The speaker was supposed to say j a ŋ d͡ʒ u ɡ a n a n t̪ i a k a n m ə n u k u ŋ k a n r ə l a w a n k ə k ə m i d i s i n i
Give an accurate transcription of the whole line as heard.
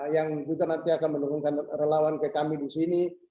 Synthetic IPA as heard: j a ŋ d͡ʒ u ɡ a n a n t̪ i a k a n m ə n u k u ŋ k a n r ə l a w a n k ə k a m i d i s i n i